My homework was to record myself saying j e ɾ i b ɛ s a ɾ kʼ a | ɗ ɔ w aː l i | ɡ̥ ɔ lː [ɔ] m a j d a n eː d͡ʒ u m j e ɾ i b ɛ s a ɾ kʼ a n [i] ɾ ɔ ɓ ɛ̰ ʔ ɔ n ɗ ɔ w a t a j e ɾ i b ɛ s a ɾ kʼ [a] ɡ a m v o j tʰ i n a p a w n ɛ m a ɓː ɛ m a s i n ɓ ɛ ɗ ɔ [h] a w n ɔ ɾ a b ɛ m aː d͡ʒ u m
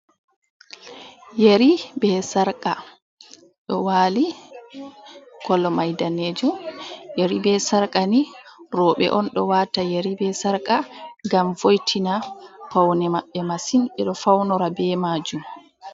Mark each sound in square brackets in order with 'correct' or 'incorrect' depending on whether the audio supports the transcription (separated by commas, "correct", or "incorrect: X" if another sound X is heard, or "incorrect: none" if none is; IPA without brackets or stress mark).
correct, correct, correct, incorrect: f